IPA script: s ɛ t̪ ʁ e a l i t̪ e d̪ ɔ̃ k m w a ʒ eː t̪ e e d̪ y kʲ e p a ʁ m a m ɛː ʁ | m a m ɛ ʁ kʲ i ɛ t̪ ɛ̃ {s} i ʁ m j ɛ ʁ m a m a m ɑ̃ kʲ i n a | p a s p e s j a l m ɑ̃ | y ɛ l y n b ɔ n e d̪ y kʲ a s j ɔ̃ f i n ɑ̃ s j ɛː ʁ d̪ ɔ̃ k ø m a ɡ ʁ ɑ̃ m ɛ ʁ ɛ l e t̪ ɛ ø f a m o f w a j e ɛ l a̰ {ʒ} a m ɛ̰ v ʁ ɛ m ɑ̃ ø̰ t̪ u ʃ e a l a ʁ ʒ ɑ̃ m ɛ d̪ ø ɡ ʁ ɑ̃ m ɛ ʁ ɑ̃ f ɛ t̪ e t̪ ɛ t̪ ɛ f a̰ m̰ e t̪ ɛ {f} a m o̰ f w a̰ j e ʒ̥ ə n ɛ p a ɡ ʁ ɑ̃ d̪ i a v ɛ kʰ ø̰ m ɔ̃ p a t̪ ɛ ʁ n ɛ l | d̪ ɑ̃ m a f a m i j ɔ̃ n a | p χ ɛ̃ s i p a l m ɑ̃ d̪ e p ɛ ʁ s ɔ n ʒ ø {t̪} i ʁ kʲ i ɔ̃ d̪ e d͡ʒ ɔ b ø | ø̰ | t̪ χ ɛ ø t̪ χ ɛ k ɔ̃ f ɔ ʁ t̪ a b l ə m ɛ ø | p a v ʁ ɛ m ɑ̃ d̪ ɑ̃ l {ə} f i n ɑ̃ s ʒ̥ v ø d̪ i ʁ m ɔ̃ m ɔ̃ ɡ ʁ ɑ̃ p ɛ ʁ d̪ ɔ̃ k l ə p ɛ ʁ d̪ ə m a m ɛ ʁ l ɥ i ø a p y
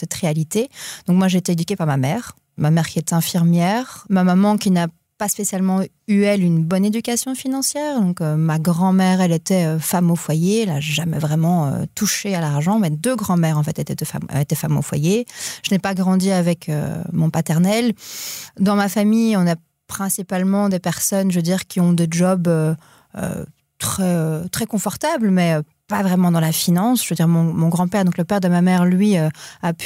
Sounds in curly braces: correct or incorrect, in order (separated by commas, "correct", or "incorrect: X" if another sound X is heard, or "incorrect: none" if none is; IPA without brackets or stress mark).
incorrect: f, correct, correct, incorrect: d̪, incorrect: a